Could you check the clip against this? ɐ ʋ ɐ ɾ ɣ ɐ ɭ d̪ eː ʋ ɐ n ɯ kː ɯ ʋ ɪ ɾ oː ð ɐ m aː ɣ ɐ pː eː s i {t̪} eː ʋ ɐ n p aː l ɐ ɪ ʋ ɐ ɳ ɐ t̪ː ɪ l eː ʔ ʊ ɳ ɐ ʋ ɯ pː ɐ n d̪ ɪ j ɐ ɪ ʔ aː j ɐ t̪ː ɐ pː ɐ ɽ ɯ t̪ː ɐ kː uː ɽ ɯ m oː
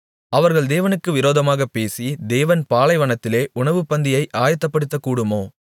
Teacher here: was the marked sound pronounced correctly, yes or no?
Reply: no